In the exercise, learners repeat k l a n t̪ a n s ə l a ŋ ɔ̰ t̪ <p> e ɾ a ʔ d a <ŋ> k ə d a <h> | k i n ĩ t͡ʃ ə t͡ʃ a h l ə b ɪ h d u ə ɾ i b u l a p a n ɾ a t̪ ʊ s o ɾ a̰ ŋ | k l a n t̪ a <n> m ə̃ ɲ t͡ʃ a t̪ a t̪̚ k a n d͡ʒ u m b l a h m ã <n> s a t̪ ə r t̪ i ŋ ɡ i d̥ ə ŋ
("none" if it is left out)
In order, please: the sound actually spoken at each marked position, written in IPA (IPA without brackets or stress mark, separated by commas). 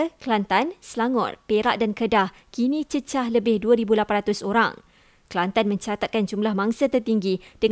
p, n, h, n, ŋ